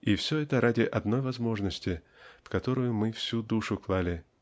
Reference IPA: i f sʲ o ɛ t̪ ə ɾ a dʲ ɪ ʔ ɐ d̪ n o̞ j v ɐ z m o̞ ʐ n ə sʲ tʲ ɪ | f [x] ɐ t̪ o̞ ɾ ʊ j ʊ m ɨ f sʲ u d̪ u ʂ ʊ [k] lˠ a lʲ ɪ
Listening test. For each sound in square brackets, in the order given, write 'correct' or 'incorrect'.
incorrect, correct

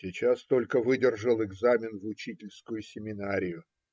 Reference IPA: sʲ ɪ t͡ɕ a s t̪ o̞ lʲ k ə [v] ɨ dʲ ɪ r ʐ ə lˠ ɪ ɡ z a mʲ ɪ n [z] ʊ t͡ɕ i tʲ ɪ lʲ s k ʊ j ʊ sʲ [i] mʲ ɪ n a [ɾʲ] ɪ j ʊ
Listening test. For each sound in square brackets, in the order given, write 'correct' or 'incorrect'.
correct, incorrect, incorrect, correct

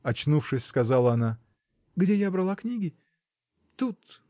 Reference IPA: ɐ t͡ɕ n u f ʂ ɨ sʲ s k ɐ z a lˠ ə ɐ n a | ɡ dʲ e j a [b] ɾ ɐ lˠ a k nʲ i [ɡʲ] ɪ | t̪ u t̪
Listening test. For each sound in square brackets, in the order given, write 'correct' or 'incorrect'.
correct, correct

